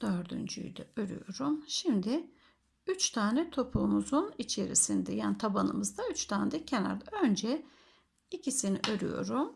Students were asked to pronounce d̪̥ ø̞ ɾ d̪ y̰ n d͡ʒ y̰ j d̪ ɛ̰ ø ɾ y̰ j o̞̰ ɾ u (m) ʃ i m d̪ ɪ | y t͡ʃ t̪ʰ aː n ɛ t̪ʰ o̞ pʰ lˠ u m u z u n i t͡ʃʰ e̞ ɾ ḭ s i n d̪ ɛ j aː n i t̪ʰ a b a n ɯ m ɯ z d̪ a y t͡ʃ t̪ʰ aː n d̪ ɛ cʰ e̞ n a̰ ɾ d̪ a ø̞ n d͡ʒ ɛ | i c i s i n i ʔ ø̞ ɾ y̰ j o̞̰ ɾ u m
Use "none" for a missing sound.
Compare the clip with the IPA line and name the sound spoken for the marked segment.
m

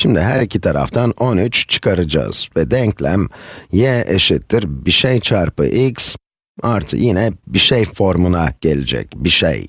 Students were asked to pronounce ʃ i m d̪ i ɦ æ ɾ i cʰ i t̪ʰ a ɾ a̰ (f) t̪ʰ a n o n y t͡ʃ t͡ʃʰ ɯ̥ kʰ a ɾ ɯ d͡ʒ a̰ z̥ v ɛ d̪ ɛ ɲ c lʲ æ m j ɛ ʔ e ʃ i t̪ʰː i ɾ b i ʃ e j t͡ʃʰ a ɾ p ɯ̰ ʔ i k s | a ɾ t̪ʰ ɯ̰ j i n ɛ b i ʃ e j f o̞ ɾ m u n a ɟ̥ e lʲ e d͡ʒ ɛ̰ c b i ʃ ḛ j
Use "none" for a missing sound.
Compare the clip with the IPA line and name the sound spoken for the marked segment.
f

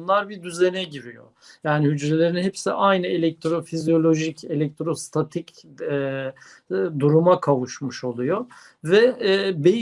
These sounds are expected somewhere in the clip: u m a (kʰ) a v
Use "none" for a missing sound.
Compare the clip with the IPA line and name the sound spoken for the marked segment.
kʰ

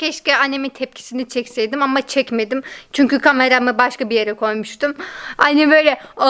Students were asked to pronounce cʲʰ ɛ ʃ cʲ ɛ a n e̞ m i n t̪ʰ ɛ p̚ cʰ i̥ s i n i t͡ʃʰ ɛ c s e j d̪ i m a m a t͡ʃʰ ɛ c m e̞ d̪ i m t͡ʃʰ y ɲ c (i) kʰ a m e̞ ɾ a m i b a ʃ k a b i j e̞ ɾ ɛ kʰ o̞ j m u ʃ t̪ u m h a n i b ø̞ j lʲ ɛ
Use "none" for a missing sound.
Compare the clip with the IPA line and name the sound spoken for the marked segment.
y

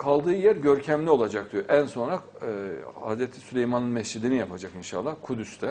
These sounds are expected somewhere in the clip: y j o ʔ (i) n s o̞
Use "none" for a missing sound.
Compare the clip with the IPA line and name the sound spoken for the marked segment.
æ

